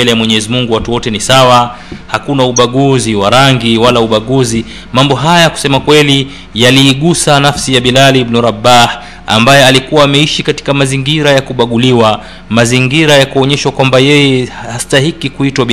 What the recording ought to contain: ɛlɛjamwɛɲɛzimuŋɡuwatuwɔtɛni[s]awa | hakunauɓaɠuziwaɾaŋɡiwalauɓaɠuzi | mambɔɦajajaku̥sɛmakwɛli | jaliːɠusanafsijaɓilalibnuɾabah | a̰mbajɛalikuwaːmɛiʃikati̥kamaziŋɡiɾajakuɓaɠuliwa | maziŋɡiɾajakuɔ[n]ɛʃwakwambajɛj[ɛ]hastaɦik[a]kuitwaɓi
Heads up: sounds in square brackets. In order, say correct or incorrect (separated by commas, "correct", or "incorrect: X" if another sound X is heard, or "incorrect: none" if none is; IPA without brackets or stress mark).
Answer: correct, incorrect: ɲ, correct, incorrect: i